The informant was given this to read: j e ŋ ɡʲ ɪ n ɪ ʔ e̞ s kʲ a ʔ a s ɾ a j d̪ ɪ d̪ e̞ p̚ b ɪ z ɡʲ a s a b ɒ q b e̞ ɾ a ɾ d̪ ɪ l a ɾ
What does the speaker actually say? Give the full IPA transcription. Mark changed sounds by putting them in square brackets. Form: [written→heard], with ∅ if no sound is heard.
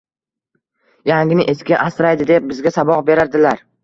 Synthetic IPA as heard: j [e→a] ŋ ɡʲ ɪ n ɪ ʔ e̞ s kʲ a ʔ a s ɾ a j d̪ ɪ d̪ e̞ p̚ b ɪ z ɡʲ a s a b ɒ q b e̞ ɾ a ɾ d̪ ɪ l a ɾ